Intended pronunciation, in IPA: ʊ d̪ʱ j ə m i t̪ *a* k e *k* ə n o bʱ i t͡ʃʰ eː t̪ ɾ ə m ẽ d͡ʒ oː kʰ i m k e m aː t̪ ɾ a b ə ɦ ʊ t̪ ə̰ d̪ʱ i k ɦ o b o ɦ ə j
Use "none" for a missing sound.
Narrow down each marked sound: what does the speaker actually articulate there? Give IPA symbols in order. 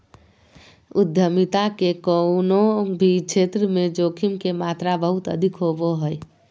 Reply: a, k

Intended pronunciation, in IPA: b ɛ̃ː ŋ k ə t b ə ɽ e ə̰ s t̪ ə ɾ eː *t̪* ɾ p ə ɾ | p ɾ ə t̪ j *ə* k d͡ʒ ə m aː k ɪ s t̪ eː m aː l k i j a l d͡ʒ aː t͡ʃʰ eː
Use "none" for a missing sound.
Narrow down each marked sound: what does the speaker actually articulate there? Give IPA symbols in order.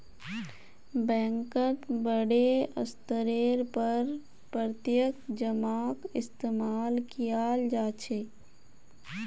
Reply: none, ə

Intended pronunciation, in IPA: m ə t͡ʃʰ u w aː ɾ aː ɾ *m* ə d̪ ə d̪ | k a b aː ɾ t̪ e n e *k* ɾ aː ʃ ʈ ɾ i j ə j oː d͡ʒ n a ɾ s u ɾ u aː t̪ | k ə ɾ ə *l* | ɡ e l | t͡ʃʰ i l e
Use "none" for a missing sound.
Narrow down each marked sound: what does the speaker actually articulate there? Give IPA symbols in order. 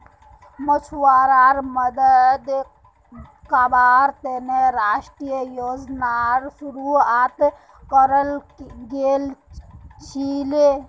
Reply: m, none, l

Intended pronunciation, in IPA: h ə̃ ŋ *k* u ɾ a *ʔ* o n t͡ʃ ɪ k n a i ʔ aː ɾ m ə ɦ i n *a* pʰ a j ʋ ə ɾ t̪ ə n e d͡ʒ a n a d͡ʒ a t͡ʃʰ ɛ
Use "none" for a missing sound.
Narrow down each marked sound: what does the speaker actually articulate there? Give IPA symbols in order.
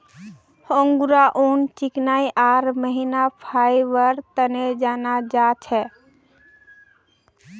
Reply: ɡ, ʔ, a

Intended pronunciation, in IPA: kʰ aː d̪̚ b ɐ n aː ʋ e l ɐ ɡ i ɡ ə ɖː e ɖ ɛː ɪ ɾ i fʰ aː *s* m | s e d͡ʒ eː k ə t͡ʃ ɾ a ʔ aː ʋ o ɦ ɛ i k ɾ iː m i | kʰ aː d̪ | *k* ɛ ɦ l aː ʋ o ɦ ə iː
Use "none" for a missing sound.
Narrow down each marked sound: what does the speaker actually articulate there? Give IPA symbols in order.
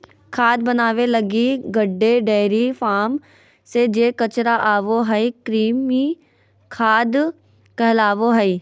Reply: none, k

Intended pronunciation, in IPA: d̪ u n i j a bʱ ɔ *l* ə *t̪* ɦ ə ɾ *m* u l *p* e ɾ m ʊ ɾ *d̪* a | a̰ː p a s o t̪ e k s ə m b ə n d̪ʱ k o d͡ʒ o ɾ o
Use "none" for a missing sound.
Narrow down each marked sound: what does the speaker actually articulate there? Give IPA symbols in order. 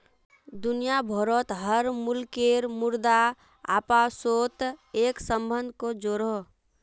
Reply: ɾ, t̪, m, k, d̪

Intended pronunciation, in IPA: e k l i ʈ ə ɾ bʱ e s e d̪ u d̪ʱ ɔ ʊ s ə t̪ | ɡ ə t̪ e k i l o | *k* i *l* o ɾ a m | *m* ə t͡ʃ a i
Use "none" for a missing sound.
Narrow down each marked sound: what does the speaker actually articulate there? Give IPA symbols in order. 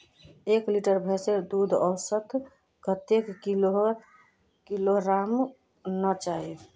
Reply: k, l, n

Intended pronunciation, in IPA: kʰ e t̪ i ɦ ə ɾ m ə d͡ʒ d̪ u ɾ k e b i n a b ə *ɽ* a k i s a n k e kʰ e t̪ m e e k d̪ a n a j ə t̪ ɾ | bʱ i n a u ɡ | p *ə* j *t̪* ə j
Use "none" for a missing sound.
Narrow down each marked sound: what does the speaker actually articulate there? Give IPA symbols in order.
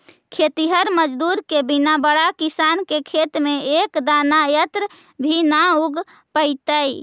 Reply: ɽ, ə, t̪

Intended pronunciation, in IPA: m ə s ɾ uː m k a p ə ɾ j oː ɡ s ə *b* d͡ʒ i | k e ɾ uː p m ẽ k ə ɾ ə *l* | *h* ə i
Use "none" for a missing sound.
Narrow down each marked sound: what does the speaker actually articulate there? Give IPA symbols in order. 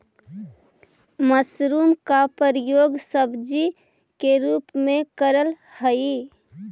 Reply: b, l, h

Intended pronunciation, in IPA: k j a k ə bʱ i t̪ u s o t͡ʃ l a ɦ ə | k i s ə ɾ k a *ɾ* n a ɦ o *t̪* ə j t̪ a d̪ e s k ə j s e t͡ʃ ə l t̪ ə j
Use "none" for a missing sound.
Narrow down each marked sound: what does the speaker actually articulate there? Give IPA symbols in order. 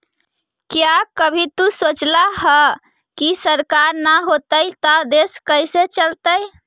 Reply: ɾ, t̪

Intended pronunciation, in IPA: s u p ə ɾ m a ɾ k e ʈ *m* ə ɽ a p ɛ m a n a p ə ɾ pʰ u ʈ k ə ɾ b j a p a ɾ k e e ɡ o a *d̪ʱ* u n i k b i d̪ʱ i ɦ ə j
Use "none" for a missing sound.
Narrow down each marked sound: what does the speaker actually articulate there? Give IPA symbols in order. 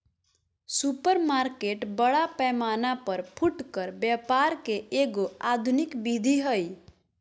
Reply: b, d̪ʱ

